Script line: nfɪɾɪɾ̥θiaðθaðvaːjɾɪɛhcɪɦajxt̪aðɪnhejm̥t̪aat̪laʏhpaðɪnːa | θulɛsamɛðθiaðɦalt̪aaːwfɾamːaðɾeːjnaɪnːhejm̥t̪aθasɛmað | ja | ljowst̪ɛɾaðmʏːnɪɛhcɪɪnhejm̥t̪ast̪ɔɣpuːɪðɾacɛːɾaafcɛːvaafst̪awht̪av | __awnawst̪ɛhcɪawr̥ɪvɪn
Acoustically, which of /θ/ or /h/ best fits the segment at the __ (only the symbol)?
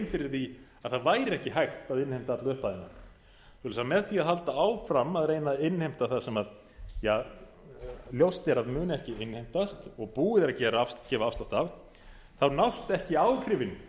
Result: θ